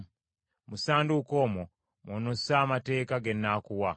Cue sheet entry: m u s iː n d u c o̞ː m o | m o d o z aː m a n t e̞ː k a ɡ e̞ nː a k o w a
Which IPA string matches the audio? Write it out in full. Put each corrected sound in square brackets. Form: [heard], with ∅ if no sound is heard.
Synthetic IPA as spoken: m u s [aː] n d u [k] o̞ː m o | m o [n] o [s] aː m a [∅] t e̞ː k a ɡ e̞ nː a k [u] w a

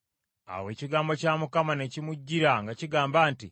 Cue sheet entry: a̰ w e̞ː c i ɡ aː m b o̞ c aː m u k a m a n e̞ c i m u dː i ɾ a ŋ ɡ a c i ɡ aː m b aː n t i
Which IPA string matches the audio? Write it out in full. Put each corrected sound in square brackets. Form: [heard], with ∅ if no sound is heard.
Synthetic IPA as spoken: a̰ w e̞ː c i ɡ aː m b o̞ c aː m u k a m a n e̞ c i m u [ɟː] i ɾ a ŋ ɡ a c i ɡ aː m b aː n t i

